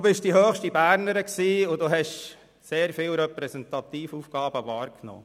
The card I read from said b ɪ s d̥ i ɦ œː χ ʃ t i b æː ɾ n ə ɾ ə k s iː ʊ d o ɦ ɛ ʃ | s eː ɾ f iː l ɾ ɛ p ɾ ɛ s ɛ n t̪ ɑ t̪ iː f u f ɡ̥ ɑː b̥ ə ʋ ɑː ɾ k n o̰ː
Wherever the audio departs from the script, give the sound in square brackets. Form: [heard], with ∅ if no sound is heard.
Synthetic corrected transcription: b ɪ [ʃ] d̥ i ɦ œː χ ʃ t i b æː ɾ n ə ɾ ə k s iː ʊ d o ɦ ɛ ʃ | s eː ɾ f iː l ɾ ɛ p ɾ ɛ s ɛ n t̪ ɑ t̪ iː f u f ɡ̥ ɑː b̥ ə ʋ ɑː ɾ k n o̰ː

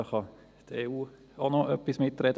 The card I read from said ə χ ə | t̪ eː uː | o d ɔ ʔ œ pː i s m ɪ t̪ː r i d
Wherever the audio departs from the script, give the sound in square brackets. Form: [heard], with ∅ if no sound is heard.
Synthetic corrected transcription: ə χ [ɑ] | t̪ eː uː | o [n] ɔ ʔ œ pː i s m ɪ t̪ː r [ɛ] d

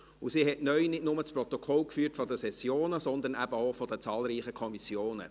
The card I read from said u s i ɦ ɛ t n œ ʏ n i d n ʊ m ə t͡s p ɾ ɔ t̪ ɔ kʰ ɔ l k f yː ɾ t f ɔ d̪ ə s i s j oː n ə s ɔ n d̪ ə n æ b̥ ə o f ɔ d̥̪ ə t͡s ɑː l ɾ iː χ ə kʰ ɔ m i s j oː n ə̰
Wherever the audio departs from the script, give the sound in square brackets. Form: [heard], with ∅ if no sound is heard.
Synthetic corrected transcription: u s i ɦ ɛ t n œ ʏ n [ɪ] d n ʊ m ə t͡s p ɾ ɔ t̪ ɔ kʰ ɔ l k f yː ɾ t f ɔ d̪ ə s [ɛ] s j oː n ə s ɔ n d̪ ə n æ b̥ ə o f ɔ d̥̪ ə t͡s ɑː l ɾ iː χ ə kʰ ɔ m i s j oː n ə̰

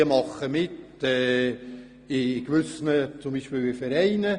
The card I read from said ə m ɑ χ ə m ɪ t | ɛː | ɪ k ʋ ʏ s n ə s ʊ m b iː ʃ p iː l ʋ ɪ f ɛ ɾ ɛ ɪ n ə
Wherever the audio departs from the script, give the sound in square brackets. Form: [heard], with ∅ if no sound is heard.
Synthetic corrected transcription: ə m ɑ χ ə m ɪ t | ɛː | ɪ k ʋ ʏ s n ə [t͡s] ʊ m b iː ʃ p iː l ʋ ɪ f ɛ ɾ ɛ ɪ n ə

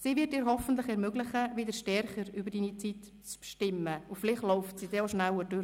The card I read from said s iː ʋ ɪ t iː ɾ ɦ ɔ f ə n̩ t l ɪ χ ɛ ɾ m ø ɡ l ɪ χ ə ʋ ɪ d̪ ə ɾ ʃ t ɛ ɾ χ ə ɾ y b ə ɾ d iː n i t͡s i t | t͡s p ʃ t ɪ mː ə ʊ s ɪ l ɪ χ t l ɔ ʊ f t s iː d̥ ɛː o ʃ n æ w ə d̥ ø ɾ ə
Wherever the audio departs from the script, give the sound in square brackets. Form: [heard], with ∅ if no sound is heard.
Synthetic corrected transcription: s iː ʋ ɪ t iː ɾ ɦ ɔ f ə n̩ t l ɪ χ ɛ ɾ m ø ɡ l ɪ χ ə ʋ ɪ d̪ ə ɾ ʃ t ɛ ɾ χ ə ɾ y b ə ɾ d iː n i t͡s i t | t͡s p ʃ t ɪ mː ə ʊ [f] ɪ l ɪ χ t l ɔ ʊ f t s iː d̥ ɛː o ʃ n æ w ə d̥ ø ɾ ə

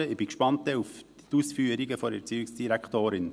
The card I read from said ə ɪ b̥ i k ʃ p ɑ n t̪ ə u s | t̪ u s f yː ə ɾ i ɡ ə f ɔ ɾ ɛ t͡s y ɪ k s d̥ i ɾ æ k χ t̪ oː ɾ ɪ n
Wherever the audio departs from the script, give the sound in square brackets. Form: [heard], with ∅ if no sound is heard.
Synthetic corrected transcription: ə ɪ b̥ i k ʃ p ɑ n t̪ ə u [f] | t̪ u s f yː ə ɾ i ɡ ə f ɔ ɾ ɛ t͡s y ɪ k s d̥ i ɾ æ k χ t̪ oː ɾ ɪ n

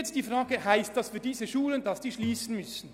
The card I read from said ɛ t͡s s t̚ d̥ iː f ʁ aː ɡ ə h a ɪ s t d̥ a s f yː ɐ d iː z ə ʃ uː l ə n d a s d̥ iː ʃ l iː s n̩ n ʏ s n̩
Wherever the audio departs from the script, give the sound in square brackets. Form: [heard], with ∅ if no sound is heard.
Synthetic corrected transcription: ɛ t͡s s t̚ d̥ iː f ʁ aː ɡ ə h a ɪ s t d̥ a s f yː ɐ d iː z ə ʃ uː l ə n d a s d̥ iː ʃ l iː s n̩ [m] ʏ s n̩

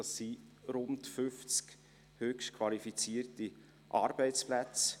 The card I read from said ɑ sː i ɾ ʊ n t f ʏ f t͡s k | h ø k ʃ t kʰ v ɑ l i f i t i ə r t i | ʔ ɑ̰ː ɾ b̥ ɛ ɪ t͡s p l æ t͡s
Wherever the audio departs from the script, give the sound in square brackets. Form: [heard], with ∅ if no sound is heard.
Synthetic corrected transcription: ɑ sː i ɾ ʊ n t f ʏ f t͡s k | h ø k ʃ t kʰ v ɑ l i f i [t͡s] i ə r t i | ʔ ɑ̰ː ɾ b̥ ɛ ɪ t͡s p l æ t͡s

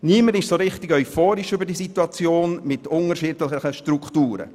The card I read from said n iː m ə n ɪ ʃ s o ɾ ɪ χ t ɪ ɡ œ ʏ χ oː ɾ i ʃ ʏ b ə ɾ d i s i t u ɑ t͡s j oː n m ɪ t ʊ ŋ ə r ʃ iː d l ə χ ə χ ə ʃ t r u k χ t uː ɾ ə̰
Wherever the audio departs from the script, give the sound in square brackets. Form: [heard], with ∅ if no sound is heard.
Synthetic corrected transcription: n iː m ə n ɪ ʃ s o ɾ ɪ χ t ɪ ɡ œ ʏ [f] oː ɾ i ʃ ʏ b ə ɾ d i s i t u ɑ t͡s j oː n m ɪ t ʊ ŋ ə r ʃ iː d l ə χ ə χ ə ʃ t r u k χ t uː ɾ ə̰

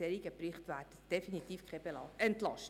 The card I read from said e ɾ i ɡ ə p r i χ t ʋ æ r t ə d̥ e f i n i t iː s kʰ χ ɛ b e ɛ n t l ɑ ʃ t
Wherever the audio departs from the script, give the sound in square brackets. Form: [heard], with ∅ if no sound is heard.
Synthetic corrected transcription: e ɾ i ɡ ə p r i χ t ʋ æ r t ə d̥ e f i n i t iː [f] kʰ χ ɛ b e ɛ n t l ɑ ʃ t

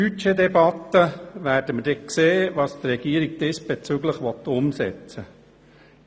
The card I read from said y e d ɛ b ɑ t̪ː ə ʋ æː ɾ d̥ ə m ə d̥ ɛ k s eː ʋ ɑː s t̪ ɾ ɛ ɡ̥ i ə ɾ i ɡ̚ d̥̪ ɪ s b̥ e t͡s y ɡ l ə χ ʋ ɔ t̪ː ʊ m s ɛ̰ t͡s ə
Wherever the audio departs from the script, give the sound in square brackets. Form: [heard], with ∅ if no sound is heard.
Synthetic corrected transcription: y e d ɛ b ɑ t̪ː ə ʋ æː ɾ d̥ ə m ə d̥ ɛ k s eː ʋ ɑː s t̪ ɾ ɛ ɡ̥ i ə ɾ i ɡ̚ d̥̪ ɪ s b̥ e t͡s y ɡ l ə χ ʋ ɔ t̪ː ʊ m s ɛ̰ t͡s ə

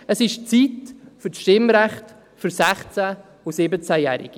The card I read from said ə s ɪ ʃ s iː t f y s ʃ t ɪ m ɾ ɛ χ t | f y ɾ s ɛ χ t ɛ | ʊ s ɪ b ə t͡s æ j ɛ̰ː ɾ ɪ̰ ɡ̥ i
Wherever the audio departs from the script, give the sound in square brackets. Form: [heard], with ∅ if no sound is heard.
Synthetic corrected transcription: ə s ɪ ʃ [t͡s] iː t f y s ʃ t ɪ m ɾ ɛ χ t | f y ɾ s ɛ χ [t͡s] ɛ | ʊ s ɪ b ə t͡s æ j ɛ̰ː ɾ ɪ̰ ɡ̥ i

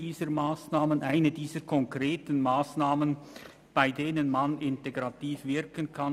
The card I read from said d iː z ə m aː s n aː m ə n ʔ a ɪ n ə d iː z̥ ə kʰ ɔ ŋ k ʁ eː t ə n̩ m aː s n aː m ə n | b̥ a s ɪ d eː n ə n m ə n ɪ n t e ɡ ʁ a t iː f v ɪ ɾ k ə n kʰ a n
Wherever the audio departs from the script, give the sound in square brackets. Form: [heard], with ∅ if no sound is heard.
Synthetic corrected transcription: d iː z ə m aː s n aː m ə n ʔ a ɪ n ə d iː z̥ ə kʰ ɔ ŋ k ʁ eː t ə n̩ m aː s n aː m ə n | b̥ a [∅] ɪ d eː n ə n m [a] n ɪ n t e ɡ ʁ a t iː f v ɪ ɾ k ə n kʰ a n

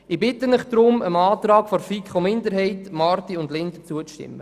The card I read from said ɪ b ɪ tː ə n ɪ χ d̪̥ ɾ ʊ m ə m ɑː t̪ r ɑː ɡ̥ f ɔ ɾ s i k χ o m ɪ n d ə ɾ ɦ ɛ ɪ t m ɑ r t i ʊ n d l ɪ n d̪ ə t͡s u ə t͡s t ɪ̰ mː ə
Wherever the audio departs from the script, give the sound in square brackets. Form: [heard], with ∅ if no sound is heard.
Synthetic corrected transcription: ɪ b ɪ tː ə n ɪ χ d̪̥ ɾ ʊ m ə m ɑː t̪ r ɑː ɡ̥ f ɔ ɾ [f] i k χ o m ɪ n d ə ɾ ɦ ɛ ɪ t m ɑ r t i ʊ n d l ɪ n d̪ ə t͡s u ə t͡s t ɪ̰ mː ə

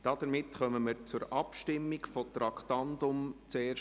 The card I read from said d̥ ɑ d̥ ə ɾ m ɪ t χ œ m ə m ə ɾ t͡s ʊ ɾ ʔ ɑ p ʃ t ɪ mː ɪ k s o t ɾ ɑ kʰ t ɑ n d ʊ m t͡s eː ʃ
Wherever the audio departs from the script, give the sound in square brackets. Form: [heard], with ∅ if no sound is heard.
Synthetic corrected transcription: d̥ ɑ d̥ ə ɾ m ɪ t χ œ m ə m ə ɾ t͡s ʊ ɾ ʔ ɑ p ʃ t ɪ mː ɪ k [f] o t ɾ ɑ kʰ t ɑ n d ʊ m t͡s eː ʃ

